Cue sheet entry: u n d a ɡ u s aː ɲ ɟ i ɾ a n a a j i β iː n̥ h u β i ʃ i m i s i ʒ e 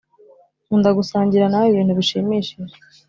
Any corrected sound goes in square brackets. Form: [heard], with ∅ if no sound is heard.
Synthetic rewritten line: u n d a ɡ u s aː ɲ ɟ i ɾ a n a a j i β iː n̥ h u β i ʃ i m i [ʃ] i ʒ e